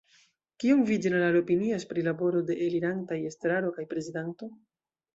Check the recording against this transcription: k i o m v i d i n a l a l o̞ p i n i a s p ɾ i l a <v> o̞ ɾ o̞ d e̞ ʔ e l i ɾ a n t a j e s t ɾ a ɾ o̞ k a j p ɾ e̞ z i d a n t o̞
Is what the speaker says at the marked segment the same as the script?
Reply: no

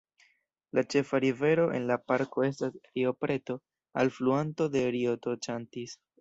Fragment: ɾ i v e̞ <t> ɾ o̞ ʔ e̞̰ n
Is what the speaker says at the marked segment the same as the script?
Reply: no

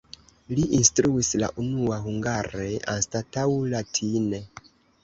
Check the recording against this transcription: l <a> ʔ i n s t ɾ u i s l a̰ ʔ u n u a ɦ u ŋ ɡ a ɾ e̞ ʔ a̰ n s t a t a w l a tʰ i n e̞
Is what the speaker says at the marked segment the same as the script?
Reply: no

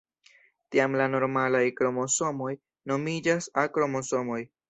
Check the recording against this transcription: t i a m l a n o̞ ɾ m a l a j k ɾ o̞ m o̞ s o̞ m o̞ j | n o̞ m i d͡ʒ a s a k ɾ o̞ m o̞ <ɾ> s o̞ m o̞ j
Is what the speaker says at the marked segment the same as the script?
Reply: no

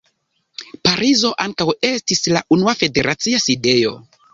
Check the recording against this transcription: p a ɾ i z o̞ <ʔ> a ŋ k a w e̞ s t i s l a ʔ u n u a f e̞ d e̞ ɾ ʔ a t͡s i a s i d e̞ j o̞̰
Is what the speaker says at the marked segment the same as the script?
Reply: yes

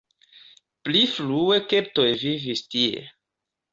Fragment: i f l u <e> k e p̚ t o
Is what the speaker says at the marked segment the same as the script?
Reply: yes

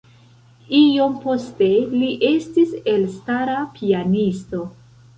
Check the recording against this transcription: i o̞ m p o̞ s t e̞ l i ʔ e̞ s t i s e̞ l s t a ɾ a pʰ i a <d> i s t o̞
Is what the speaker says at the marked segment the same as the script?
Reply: no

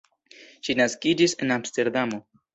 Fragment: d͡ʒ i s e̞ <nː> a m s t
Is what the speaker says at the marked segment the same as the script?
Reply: no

